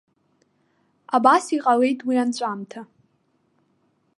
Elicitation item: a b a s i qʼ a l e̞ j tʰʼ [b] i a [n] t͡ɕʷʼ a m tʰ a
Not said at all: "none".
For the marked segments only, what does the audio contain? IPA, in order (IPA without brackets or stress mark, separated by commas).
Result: w, n